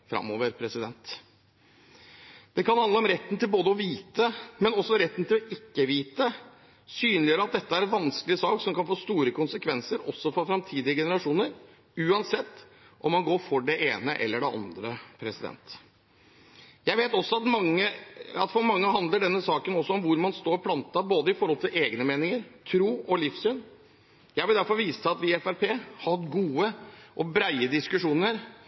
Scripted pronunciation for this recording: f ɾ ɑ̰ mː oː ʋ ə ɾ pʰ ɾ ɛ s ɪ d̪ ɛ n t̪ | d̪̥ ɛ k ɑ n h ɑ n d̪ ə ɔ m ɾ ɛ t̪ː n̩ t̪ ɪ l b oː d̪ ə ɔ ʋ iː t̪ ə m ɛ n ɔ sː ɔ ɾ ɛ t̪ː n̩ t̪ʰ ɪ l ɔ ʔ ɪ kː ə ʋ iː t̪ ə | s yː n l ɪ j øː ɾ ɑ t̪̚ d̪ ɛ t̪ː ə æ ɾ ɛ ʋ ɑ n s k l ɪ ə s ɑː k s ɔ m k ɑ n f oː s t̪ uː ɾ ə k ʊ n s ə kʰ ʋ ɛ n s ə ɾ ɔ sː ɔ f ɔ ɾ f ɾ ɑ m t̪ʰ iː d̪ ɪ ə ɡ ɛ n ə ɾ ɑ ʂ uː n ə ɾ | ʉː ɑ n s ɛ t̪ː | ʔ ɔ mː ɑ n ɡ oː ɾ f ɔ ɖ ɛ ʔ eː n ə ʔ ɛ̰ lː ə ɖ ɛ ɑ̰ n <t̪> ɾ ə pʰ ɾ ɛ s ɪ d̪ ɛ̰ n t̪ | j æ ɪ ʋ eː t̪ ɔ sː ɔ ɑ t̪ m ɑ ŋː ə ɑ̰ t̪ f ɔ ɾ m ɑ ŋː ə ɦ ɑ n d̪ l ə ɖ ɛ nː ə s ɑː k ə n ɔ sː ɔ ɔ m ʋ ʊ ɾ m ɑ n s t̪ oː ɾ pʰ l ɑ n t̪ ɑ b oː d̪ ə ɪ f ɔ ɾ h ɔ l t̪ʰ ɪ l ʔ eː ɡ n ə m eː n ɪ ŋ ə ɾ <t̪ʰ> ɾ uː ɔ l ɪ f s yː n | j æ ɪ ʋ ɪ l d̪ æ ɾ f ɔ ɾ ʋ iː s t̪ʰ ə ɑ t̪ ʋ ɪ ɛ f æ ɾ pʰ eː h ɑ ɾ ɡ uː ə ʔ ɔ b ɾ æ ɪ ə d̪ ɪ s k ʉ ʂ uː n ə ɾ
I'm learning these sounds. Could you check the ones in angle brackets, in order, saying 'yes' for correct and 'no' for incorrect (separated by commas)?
no, yes